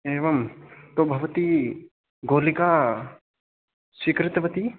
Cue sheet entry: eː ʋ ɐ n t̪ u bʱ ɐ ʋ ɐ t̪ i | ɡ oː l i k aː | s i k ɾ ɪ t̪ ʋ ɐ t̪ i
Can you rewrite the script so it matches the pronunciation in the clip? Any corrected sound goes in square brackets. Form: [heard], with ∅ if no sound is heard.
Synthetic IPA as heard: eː ʋ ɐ [m] t̪ [o] bʱ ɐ ʋ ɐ t̪ i | ɡ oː l i k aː | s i k ɾ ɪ t̪ ʋ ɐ t̪ i